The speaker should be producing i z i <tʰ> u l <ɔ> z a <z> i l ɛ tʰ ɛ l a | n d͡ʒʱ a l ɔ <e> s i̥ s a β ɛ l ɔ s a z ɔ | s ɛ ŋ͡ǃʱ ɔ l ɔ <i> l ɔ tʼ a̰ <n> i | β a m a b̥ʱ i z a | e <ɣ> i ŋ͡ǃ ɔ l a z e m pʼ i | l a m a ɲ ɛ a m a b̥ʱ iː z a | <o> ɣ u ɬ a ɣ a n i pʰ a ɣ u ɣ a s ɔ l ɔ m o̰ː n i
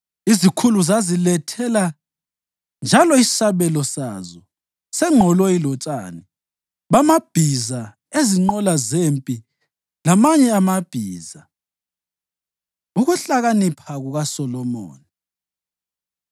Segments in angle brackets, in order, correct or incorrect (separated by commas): incorrect, incorrect, correct, incorrect, correct, correct, incorrect, incorrect